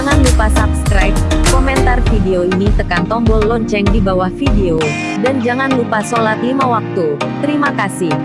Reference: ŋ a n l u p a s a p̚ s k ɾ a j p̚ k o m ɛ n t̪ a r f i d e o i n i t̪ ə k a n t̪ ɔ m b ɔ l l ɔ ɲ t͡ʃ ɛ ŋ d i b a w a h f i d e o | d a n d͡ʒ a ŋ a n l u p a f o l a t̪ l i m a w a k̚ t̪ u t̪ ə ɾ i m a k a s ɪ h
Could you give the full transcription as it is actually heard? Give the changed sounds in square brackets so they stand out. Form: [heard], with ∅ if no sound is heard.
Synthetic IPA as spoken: ŋ a n l u p a s a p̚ s k ɾ a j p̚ k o m ɛ n t̪ a r f i d e o i n i t̪ ə k a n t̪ ɔ m b ɔ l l ɔ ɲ t͡ʃ ɛ ŋ d i b a w a h f i d e o | d a n d͡ʒ a ŋ a n l u p a [s] o l a t̪ l i m a w a k̚ t̪ u t̪ ə ɾ i m a k a s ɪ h